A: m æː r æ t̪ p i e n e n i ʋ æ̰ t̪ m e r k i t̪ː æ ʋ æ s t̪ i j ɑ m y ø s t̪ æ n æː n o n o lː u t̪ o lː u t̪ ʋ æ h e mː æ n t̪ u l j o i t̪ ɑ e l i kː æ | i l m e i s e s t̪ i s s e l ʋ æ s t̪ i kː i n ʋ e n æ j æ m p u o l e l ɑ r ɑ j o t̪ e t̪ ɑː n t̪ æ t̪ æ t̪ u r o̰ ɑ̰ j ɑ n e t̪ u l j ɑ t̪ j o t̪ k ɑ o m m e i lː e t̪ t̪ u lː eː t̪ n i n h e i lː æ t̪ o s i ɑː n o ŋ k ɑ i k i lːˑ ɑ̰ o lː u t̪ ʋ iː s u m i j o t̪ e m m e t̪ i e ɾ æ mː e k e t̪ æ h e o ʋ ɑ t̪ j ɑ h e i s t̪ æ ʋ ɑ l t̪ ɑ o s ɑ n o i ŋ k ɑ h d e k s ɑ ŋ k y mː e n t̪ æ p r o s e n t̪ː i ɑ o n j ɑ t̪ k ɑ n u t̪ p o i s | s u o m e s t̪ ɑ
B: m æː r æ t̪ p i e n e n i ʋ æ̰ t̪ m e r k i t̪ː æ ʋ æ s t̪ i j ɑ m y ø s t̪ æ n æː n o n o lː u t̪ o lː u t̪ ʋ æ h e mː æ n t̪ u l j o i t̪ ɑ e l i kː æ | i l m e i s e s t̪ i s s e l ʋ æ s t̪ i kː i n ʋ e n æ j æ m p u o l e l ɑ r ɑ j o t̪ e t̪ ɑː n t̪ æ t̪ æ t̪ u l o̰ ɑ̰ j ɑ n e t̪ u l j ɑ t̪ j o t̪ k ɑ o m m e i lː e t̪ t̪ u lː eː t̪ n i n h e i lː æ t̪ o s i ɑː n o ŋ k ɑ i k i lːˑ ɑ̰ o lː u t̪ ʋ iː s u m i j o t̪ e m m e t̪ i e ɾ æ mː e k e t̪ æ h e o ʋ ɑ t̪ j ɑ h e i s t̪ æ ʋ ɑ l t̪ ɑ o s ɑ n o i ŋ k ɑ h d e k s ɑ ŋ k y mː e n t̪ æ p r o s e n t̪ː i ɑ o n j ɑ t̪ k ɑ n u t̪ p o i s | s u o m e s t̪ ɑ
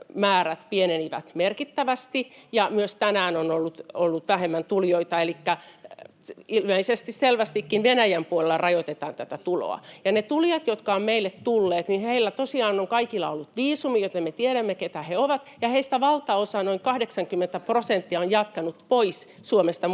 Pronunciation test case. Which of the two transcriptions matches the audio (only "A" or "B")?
B